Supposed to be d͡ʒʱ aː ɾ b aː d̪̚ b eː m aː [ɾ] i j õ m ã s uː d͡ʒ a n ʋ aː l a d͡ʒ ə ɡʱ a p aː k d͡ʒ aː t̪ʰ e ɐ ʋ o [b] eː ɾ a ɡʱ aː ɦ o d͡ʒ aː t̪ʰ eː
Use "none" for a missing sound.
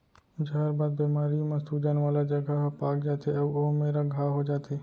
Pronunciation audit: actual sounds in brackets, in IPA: ɾ, m

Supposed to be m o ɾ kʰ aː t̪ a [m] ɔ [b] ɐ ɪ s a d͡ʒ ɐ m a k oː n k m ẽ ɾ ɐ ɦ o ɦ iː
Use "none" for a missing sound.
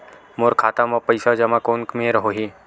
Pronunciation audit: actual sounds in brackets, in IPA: m, p

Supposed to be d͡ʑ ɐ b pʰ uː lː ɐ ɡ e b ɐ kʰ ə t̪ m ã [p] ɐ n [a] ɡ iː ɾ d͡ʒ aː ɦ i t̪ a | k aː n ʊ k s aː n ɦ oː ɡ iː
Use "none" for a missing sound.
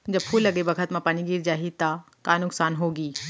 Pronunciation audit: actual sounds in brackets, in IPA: p, i

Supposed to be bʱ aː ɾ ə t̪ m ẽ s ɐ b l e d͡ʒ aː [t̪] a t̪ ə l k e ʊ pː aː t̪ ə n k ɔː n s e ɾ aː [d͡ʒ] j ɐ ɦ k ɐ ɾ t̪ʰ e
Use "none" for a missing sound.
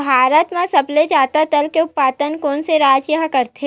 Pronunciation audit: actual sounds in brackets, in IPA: t̪, d͡ʒ

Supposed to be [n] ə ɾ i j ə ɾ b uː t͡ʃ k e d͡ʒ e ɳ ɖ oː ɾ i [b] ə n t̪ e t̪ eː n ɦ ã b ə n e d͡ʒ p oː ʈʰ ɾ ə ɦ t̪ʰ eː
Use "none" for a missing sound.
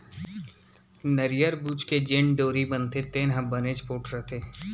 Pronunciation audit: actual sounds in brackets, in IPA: n, b

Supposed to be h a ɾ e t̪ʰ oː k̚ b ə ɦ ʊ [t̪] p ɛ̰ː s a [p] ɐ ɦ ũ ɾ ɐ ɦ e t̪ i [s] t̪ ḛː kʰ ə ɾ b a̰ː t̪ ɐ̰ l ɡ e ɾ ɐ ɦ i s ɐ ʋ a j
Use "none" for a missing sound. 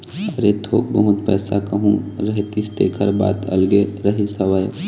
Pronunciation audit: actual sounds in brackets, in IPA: t̪, k, s

